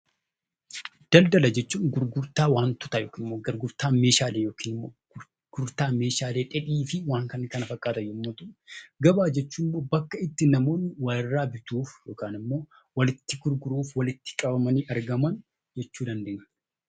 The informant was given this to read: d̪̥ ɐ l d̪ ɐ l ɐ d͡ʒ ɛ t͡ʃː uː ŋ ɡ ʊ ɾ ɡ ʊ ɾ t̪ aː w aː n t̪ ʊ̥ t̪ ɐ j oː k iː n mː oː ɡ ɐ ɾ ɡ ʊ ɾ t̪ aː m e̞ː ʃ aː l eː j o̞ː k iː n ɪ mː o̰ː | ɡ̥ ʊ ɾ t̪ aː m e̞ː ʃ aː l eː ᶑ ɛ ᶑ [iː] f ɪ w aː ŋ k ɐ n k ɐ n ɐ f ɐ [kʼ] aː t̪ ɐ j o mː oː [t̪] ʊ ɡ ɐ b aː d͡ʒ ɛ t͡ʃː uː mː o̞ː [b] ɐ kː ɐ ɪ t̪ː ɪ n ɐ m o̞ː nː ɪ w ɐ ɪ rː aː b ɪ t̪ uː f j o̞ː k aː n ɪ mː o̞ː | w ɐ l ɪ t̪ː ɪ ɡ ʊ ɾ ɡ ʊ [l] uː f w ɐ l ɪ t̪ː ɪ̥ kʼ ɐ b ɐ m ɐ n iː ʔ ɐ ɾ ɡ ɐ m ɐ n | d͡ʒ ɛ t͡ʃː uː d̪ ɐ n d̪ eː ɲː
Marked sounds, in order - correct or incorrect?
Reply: correct, correct, correct, correct, incorrect: ɾ

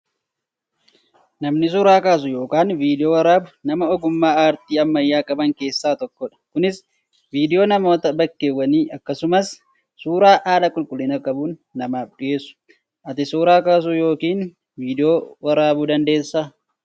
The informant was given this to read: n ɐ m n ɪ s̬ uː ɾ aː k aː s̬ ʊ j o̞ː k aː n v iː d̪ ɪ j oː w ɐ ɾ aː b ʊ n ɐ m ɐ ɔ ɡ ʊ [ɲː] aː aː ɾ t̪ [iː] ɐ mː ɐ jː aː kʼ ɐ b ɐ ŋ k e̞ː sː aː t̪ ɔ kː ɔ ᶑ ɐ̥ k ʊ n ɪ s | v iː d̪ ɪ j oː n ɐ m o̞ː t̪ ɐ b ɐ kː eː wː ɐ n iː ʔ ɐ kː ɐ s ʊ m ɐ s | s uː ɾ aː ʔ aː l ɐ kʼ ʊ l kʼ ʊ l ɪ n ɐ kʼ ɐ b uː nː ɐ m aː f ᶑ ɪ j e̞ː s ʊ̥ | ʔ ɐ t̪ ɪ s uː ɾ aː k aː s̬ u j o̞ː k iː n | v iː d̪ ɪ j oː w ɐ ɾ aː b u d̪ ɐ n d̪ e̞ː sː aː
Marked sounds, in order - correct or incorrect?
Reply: incorrect: mː, correct

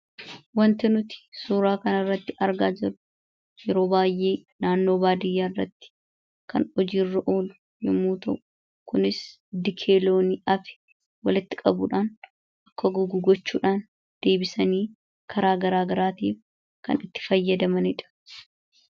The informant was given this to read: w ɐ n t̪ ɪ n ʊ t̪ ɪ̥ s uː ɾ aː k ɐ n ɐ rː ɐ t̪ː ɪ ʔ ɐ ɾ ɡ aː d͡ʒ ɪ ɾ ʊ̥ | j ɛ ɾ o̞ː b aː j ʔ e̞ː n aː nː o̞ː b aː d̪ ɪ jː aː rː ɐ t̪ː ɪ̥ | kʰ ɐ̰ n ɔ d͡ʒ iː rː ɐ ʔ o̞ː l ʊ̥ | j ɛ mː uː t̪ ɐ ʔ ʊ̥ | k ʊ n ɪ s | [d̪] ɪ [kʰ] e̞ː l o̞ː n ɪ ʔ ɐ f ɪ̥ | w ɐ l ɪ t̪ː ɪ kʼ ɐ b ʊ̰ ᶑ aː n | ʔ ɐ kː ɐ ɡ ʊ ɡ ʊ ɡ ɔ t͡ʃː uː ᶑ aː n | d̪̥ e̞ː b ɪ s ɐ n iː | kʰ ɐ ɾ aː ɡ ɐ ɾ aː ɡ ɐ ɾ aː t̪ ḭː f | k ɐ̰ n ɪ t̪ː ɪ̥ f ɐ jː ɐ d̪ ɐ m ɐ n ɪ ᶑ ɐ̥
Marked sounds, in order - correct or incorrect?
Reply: correct, correct

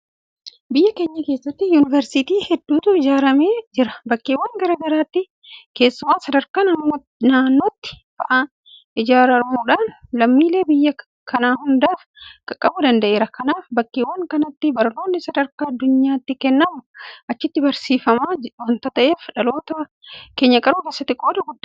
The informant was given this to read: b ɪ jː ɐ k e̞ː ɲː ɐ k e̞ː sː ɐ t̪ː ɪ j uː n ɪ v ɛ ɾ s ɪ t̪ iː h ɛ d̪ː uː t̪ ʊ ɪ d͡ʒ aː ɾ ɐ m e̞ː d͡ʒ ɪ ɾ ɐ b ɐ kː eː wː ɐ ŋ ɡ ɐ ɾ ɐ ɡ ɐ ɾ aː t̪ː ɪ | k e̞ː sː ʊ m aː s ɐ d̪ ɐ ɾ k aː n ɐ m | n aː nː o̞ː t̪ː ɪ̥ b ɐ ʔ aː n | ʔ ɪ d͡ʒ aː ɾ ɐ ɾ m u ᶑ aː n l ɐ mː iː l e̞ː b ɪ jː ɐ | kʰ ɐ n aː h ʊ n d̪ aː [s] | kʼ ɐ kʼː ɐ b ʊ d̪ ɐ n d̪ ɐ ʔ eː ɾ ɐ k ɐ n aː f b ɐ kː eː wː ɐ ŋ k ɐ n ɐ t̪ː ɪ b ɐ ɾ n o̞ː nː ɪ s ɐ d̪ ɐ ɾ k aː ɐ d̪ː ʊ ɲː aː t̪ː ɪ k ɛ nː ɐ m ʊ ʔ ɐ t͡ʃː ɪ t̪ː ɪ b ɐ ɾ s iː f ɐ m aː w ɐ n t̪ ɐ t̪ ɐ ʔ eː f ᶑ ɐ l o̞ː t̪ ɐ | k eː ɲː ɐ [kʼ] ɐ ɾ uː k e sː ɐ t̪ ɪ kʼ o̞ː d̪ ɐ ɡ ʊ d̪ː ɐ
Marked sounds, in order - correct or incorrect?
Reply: incorrect: f, correct

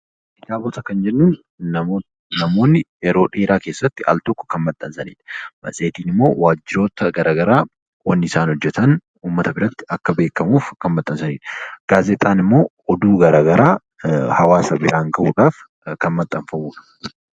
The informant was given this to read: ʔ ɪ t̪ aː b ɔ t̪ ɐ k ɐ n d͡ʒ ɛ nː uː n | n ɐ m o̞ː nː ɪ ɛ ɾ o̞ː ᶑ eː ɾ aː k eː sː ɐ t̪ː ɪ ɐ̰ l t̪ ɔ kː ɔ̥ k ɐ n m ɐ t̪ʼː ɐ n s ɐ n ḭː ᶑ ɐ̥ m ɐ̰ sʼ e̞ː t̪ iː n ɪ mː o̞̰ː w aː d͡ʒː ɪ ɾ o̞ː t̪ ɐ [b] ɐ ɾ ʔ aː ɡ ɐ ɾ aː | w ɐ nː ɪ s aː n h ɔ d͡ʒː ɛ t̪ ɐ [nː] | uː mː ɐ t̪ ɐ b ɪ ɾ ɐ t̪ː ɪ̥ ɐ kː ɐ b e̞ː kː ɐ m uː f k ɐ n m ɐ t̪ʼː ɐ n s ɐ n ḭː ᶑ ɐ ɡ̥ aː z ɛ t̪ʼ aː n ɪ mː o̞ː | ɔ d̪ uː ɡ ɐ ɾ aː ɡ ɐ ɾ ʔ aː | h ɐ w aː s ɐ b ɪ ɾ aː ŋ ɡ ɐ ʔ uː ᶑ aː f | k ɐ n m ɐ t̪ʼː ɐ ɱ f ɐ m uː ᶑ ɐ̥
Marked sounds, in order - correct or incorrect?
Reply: incorrect: ɡ, incorrect: n

